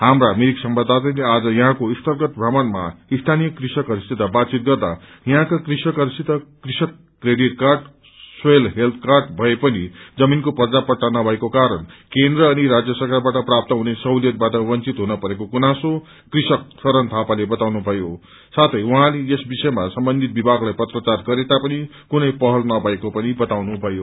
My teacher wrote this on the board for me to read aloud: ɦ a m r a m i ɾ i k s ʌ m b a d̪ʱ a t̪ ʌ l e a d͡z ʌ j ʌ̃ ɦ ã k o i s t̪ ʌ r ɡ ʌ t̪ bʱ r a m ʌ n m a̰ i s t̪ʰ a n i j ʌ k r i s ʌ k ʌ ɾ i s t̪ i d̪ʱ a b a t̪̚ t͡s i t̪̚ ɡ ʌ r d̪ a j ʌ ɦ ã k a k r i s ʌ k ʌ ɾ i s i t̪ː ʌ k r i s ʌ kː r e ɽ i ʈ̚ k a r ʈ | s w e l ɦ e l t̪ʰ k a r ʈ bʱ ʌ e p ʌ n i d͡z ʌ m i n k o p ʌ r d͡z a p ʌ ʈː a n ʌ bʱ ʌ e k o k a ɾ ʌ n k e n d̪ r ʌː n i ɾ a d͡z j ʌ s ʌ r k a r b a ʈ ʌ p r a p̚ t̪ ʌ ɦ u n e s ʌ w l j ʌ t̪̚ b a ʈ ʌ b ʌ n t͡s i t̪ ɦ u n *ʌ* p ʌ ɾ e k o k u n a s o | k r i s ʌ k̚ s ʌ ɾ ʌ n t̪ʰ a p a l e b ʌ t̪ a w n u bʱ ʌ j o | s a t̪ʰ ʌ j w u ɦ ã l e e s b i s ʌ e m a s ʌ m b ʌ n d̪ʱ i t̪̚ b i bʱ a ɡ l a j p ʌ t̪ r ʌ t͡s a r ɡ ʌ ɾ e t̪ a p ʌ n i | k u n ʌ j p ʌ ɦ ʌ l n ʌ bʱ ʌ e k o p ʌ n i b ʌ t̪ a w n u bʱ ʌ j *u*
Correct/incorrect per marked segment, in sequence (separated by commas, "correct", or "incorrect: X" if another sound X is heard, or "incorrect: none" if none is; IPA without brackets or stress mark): correct, incorrect: o